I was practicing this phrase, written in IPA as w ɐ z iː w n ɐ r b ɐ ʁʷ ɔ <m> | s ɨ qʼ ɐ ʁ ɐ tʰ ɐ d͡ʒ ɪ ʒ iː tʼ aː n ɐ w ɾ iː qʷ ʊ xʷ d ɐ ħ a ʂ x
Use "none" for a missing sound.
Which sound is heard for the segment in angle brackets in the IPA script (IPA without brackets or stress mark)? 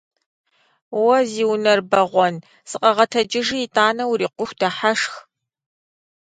n